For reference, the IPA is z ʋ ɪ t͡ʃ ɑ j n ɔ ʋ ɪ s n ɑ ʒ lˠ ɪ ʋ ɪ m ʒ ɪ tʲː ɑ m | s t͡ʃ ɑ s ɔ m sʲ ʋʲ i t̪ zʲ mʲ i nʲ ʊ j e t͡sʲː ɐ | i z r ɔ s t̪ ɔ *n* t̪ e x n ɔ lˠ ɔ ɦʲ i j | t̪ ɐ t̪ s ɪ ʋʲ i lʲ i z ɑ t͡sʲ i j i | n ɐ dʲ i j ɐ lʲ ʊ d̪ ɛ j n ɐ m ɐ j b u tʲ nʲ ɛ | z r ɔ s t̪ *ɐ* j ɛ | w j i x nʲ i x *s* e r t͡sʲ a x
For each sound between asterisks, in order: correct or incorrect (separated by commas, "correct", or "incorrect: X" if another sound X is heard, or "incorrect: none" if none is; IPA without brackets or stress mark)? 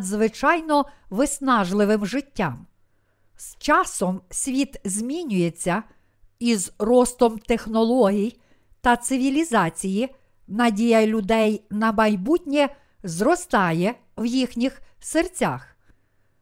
incorrect: m, incorrect: ɑ, correct